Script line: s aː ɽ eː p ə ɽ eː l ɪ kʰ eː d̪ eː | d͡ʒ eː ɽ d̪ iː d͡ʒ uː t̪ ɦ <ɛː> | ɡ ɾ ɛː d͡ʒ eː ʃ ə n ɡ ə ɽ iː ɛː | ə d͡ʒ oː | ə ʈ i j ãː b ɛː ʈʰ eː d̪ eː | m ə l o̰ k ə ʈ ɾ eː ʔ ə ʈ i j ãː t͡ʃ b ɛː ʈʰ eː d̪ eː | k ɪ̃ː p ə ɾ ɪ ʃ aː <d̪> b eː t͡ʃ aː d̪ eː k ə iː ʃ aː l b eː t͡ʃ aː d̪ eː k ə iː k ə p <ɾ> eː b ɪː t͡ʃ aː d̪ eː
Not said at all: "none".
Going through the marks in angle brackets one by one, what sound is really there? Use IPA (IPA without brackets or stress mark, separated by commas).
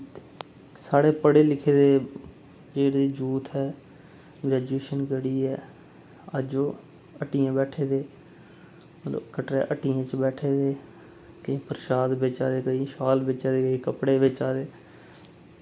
ɛː, d̪, ɽ